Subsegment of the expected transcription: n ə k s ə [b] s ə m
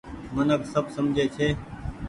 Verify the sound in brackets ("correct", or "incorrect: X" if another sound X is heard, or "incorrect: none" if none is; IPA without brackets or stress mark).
correct